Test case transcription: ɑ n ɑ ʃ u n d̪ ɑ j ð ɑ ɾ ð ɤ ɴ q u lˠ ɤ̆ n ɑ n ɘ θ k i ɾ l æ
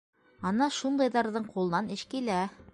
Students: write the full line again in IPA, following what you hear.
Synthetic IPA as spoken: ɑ n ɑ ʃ u n d̪ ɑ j ð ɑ ɾ ð ɤ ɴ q u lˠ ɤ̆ n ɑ n ɘ ʃ k i l æ